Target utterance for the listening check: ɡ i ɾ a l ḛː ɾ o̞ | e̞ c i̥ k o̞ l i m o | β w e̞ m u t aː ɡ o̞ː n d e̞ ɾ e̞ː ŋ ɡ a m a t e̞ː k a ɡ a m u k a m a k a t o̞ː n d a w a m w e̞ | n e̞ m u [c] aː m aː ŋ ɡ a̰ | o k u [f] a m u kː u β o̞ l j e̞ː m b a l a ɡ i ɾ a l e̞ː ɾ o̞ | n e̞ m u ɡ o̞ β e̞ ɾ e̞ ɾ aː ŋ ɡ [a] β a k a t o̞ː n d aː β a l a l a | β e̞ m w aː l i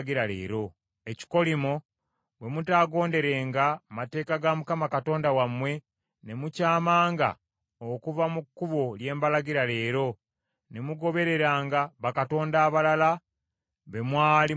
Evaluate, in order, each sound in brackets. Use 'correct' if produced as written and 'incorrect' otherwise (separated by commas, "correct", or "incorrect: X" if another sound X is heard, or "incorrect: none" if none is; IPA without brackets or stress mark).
correct, incorrect: v, correct